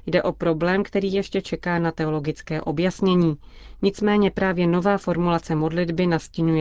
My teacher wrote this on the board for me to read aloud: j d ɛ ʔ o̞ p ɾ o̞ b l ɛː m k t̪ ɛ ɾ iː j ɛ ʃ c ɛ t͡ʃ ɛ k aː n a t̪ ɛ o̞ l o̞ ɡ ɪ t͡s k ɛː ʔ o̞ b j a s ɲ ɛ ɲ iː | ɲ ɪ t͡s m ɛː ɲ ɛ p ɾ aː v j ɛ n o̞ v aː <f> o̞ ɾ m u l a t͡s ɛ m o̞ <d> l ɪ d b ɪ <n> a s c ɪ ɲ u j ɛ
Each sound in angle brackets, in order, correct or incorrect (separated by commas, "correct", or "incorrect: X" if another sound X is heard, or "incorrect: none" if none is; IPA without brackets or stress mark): correct, correct, correct